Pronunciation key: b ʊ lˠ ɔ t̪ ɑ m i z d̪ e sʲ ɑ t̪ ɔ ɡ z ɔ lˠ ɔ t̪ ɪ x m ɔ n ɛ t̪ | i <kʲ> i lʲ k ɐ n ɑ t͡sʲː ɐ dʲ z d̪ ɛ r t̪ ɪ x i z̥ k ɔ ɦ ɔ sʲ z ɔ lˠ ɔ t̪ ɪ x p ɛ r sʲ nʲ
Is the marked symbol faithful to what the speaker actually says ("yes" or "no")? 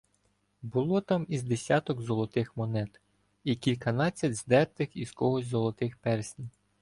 yes